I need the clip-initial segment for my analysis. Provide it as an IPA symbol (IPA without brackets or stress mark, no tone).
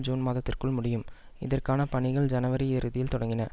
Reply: d͡ʒ